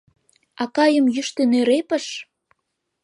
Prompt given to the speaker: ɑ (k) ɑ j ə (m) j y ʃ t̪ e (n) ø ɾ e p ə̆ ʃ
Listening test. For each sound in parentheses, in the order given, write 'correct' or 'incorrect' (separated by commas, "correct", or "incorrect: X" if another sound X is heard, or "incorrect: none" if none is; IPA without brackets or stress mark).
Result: correct, correct, correct